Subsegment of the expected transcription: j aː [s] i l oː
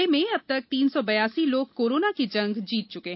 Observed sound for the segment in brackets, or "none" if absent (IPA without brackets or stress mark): s